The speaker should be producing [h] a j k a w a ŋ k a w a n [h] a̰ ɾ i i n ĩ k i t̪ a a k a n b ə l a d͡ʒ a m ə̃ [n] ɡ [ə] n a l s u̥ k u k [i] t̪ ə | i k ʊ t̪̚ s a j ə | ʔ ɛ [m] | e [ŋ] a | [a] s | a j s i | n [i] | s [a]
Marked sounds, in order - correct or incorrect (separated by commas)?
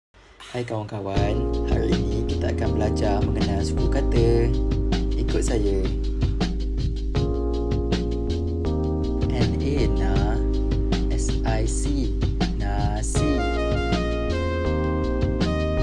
correct, correct, incorrect, correct, incorrect, incorrect, incorrect, incorrect, incorrect, incorrect